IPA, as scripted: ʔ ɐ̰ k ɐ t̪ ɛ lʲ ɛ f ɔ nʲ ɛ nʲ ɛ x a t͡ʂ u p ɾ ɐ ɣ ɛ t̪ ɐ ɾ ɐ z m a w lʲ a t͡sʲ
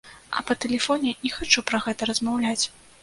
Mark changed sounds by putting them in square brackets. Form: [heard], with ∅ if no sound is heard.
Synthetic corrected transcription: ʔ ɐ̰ [p] ɐ t̪ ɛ lʲ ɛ f ɔ nʲ ɛ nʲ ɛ x a t͡ʂ u p ɾ ɐ ɣ ɛ t̪ ɐ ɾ ɐ z m a w lʲ a t͡sʲ